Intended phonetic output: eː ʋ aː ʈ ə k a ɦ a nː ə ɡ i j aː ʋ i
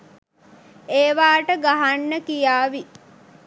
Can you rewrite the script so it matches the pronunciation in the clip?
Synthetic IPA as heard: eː ʋ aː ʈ ə ɡ a ɦ a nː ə k i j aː ʋ i